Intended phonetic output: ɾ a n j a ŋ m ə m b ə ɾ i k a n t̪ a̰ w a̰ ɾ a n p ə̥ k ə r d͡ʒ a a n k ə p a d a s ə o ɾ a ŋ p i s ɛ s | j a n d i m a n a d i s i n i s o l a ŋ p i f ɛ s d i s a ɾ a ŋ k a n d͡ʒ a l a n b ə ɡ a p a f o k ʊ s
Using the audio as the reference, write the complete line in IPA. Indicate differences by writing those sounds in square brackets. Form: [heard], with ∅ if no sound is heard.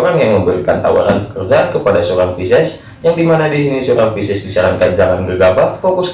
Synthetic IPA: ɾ a n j a ŋ m ə m b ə ɾ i k a n t̪ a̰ w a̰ ɾ a n p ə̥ k ə r d͡ʒ a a n k ə p a d a s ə o ɾ a ŋ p i s ɛ s | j a [ŋ] d i m a n a d i s i n i s o [ɾ] a ŋ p i [s] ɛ s d i s a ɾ a ŋ k a n d͡ʒ a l a n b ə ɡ a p a f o k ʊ s